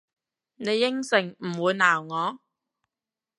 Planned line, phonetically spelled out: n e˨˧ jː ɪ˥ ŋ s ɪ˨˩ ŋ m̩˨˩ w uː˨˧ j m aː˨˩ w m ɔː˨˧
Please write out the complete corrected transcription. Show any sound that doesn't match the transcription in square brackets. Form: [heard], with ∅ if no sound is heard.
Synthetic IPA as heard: n e˨˧ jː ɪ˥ ŋ s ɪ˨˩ ŋ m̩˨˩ w uː˨˧ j [n] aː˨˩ w [ŋ] ɔː˨˧